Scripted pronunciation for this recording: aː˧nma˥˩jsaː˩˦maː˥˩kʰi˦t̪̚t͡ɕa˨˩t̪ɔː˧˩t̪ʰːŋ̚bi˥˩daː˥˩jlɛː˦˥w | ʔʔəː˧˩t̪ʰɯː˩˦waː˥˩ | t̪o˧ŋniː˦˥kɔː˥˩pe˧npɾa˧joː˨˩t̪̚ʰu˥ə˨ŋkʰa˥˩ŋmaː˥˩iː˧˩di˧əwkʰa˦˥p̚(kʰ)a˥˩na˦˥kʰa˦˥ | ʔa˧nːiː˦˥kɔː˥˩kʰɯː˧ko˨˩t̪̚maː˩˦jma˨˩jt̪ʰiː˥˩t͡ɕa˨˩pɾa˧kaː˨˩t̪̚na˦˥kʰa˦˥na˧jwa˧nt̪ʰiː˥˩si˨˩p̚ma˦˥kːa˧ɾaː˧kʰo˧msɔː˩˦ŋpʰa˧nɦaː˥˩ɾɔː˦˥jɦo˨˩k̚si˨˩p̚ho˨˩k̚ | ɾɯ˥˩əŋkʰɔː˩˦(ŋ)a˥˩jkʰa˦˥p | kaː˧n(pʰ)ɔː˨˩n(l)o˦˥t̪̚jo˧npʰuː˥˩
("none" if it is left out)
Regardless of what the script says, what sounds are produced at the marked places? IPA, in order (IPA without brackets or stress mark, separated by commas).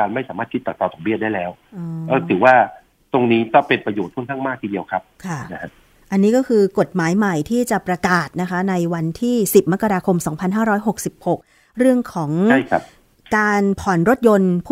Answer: kʰ, ŋ, pʰ, ɾ